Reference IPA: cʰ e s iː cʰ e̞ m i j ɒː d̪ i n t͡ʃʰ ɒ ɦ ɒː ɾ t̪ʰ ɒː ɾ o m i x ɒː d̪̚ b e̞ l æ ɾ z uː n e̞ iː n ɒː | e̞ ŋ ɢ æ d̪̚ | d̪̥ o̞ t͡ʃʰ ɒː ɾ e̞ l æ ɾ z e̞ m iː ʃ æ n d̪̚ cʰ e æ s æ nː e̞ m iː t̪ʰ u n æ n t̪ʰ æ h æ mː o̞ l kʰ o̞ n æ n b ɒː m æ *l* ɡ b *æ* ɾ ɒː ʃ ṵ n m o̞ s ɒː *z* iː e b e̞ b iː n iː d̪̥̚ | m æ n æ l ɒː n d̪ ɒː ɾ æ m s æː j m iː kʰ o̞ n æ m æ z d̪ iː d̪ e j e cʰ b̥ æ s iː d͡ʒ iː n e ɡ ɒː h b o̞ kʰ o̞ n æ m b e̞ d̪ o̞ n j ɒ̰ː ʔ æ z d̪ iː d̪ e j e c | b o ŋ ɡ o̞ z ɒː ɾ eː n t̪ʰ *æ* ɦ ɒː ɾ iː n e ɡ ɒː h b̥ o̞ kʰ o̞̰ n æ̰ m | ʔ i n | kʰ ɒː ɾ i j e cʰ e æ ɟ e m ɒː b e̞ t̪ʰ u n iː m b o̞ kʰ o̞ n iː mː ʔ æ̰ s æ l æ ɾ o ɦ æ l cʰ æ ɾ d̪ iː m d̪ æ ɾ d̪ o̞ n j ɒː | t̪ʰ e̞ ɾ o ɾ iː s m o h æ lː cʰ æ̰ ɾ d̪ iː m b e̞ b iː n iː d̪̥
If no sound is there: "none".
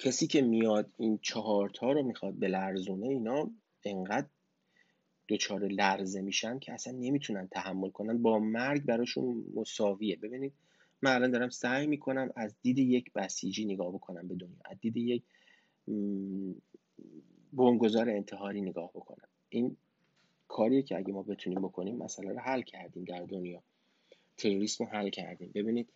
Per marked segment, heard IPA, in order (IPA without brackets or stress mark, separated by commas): ɾ, æ, v, e